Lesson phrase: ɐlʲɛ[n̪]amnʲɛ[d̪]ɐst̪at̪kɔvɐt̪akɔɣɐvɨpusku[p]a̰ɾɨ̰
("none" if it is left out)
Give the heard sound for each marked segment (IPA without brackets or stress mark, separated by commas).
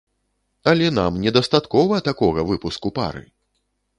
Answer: n̪, d̪, p